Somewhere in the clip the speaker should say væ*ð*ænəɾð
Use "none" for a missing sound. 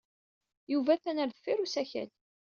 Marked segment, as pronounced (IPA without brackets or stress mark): θ